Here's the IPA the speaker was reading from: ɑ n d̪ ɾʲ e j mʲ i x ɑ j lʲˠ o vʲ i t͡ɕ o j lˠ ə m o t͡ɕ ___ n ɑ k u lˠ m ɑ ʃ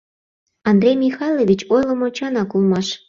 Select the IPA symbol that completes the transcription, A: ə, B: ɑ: B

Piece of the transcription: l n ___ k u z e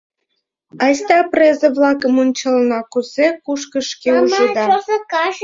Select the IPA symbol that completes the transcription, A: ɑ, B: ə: A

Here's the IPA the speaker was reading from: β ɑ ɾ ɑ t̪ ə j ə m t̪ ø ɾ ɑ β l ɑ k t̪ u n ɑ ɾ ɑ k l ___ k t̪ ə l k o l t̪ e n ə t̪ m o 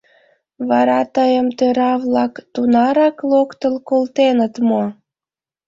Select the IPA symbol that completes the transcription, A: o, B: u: A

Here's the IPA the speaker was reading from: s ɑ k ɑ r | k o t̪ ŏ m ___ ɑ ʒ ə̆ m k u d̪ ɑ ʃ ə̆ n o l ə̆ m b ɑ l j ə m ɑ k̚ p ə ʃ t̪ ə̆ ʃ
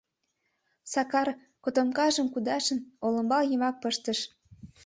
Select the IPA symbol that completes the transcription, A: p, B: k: B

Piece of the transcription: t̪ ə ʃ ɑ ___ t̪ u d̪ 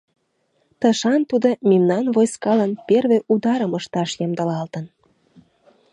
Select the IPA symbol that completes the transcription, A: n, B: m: A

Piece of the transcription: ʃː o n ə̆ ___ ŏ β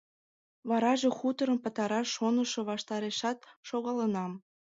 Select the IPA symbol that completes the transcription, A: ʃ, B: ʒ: A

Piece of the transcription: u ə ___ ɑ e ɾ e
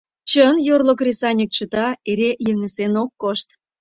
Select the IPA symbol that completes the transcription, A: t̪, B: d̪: A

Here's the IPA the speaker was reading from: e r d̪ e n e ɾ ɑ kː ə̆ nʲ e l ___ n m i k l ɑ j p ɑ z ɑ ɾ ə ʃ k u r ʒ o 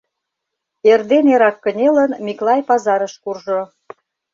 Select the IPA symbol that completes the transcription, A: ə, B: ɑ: A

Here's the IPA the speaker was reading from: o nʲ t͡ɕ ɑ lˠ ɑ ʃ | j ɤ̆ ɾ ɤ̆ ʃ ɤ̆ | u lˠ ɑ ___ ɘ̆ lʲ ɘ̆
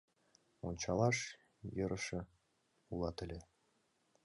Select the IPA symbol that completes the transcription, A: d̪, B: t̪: B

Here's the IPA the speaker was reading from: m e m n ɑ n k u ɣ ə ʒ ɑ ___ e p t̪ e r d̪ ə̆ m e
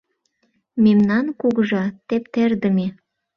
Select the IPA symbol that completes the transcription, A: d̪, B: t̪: B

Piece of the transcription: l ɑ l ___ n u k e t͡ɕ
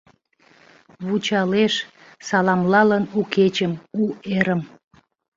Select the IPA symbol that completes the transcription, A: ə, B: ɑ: A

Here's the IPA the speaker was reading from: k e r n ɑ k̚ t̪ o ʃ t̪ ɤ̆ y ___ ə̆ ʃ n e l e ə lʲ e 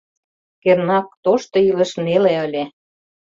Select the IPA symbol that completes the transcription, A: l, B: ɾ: A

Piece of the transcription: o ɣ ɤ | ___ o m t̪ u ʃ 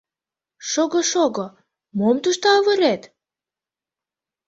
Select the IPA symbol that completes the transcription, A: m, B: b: A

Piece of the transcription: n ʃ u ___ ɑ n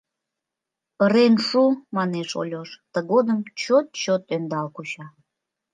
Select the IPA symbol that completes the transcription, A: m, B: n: A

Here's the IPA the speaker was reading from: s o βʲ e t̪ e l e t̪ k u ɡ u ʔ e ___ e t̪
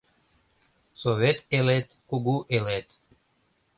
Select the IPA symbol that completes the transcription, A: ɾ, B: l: B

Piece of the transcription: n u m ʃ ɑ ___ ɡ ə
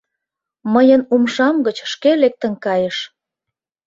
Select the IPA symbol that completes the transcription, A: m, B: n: A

